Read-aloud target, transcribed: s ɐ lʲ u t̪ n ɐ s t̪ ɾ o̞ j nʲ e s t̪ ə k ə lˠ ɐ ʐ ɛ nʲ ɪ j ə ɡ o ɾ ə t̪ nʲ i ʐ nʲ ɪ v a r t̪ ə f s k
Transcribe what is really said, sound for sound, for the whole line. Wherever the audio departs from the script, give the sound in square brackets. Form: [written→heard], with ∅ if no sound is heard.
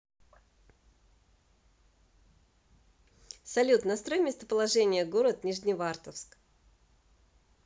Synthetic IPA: s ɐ lʲ u t̪ n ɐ s t̪ ɾ o̞ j [nʲ→mʲ] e s t̪ ə [k→p] ə lˠ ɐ ʐ ɛ nʲ ɪ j ə ɡ o ɾ ə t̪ nʲ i ʐ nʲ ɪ v a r t̪ ə f s k